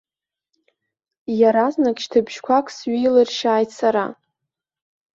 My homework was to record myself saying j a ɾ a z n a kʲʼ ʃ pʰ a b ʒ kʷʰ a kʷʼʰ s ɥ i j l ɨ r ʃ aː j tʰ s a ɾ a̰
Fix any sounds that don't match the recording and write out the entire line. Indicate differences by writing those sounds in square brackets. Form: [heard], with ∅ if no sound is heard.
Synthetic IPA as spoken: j a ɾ a z n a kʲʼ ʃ [tʰ] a b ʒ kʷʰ a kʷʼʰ s ɥ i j l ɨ r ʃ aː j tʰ s a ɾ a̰